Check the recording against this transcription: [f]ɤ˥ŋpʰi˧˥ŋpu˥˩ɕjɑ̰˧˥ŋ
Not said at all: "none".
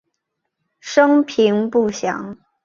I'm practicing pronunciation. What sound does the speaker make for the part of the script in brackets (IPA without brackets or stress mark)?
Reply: ʂ